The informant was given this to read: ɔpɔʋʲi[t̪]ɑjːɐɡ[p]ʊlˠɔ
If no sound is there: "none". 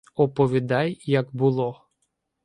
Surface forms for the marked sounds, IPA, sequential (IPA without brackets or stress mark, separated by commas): d̪, b